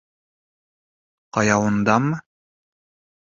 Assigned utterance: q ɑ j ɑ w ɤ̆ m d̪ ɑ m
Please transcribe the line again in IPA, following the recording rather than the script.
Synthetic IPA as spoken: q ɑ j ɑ w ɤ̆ n d̪ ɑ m